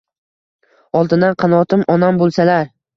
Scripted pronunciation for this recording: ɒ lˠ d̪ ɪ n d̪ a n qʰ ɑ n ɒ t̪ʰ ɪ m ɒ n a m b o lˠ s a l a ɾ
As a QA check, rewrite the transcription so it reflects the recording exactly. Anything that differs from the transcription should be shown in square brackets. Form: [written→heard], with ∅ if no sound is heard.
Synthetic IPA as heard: ɒ lˠ d̪ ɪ n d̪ a n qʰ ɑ n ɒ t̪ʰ ɪ m ɒ n a m b o lˠ s a l a ɾ